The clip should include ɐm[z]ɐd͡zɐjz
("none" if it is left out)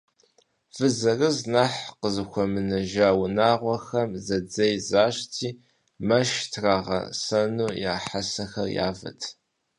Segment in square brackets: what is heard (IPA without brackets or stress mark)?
z